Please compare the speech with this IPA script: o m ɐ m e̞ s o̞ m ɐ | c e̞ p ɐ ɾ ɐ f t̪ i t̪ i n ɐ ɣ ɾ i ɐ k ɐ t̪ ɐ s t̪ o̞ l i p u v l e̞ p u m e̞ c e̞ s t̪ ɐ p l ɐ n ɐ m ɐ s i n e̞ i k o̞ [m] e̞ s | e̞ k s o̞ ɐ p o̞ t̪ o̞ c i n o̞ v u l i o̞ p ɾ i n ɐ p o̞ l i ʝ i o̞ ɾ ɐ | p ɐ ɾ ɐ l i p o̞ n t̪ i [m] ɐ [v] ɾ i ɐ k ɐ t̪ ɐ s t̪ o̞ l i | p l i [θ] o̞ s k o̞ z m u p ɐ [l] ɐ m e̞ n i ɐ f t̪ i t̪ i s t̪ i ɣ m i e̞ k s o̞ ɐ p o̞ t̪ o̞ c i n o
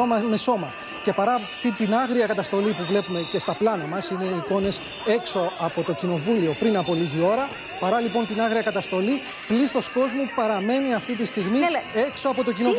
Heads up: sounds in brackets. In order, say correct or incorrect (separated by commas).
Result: incorrect, incorrect, incorrect, correct, incorrect